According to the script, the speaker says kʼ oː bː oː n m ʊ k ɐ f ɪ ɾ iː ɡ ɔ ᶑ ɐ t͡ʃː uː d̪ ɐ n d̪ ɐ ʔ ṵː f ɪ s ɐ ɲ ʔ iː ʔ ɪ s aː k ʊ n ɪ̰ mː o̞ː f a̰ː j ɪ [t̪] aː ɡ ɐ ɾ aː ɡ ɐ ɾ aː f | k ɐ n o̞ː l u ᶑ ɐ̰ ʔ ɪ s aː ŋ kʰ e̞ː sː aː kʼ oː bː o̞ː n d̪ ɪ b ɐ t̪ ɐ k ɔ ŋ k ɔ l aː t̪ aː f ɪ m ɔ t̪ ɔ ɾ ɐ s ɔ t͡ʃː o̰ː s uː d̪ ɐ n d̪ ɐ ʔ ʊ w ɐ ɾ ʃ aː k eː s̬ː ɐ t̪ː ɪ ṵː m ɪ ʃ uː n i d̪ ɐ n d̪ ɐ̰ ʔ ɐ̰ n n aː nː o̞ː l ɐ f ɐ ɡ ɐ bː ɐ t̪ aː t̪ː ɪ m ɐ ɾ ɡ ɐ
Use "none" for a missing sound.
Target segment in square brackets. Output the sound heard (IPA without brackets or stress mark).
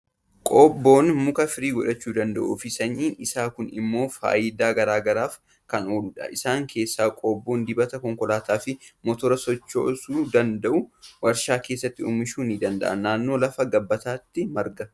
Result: d̪